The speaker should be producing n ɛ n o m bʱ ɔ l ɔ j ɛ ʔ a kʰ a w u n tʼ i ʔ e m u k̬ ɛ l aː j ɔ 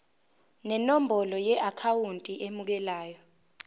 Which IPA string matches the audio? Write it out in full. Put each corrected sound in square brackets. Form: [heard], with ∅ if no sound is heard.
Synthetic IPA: n ɛ n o m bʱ ɔ l ɔ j ɛ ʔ a kʰ a w u n tʼ i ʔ e m u k̬ ɛ l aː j ɔ